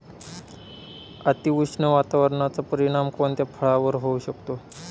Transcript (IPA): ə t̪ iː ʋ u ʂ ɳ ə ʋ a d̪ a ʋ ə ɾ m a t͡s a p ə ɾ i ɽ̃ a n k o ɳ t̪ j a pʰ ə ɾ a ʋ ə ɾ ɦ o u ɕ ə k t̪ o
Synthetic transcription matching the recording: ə t̪ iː ʋ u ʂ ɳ ə ʋ a t̪ a ʋ ə ɾ ɳ a t͡s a p ə ɾ i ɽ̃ a m k o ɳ t̪ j a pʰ ə ɭ a ʋ ə ɾ ɦ o u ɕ ə k t̪ o

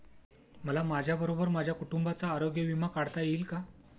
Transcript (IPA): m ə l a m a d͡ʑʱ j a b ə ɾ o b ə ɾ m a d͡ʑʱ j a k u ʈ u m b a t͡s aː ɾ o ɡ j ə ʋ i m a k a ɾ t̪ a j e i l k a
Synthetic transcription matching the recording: m ə l a m a d͡ʑʱ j a b ə ɾ o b ə ɾ m a d͡ʑʱ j a k u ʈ u m b a t͡s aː ɾ o ɡ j ə ʋ i m a k a ɽ t̪ a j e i l k a

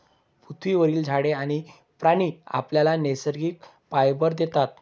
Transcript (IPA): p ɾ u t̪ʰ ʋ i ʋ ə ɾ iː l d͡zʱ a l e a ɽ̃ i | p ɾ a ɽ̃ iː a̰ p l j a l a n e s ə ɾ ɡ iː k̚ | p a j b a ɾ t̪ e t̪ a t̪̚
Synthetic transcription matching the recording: p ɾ u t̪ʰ ʋ i ʋ ə ɾ iː l d͡zʱ a ɽ e a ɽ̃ i | p ɾ a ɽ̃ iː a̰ p l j a l a n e s ə ɾ ɡ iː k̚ | p a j b ə ɾ d̪ e t̪ a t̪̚

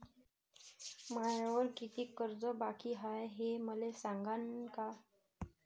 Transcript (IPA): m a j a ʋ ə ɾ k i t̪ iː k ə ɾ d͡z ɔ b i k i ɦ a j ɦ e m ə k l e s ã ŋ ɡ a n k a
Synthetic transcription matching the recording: m a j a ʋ ə ɾ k i t̪ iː k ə ɾ d͡z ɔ b a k i ɦ a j ɦ e m ə l e s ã ŋ ɡ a n k a

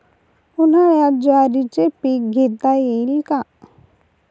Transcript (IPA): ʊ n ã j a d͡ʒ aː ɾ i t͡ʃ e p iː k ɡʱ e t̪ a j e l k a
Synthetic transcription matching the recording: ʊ n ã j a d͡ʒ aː ɾ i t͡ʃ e p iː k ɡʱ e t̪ a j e l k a

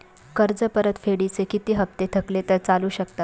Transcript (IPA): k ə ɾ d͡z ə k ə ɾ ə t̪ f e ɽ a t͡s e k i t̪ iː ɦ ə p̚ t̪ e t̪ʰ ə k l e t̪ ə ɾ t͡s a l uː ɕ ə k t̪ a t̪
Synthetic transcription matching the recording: k ə ɾ d͡z ə p ə ɾ ə t̪ f e ɽ i t͡s e k i t̪ iː ɦ ə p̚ t̪ e t̪ʰ ə k l e t̪ ə ɾ t͡s a l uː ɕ ə k t̪ a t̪

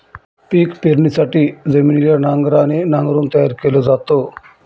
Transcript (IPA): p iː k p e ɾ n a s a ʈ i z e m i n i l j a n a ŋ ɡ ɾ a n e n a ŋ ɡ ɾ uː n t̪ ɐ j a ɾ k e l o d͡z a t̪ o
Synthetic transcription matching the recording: p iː k p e ɾ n i s a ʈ i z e m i n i l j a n a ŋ ɡ ɾ a n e n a ŋ ɡ ɾ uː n t̪ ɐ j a ɾ k e l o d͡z a t̪ o

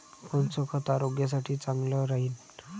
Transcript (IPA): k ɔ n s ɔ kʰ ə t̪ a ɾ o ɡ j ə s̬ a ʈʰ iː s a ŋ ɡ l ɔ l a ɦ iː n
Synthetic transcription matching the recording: k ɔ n t͡s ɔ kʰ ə t̪ a ɾ o ɡ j a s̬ a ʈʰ iː t͡s a ŋ ɡ l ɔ ɾ a ɦ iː n

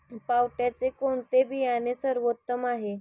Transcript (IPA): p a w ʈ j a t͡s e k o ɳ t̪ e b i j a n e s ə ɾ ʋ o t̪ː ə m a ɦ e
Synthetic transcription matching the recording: p a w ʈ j a t͡s e k o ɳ t̪ e b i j a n e s ə ɾ ʋ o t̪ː ə m a ɦ e

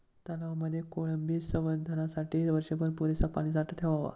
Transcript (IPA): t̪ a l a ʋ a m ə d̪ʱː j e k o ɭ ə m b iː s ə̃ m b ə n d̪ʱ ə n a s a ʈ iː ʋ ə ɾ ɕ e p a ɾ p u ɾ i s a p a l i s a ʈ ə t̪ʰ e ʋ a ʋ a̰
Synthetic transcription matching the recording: t̪ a l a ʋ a m ə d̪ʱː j e k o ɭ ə m b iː s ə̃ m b ə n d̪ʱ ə n a s a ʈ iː ʋ ə ɾ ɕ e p ə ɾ p u ɾ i s a p a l i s a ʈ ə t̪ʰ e ʋ a ʋ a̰

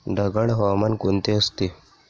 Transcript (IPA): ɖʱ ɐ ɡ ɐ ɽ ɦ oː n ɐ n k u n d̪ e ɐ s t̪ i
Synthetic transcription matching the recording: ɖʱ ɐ ɡ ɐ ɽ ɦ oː m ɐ n k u n t̪ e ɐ s t̪ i

